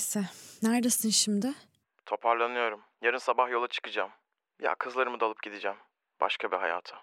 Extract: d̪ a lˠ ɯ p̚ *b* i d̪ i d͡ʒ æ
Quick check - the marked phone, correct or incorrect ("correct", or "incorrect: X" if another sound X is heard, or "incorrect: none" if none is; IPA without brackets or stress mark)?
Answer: incorrect: ɟ